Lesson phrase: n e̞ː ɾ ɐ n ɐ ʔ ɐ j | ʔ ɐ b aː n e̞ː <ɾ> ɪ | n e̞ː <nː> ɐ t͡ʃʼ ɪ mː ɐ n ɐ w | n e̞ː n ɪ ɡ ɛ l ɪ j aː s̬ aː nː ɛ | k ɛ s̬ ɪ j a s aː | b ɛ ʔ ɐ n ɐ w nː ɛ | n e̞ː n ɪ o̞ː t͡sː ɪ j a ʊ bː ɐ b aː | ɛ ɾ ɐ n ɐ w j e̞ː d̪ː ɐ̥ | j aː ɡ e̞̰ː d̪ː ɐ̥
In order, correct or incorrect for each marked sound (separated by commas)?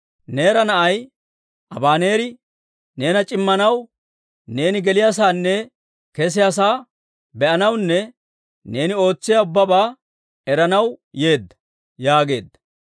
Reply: correct, incorrect